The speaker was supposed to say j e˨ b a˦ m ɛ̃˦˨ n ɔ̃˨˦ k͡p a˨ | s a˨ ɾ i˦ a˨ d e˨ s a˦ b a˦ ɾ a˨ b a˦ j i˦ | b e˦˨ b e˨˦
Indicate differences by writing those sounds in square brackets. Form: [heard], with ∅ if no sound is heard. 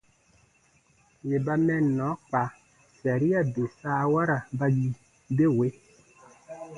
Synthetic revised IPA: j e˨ b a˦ m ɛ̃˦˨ n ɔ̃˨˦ k͡p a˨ | s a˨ ɾ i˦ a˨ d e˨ s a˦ [w] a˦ ɾ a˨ b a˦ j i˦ | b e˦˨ [w] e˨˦